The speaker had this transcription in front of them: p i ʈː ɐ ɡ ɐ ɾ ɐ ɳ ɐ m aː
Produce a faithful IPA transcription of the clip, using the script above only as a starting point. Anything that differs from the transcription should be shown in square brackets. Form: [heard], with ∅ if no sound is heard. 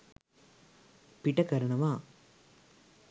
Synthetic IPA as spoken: p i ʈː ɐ [k] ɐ ɾ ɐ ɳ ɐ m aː